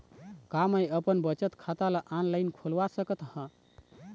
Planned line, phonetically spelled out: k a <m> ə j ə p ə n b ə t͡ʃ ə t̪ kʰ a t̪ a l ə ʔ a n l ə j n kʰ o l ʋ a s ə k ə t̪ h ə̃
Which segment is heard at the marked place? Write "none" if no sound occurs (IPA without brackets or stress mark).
m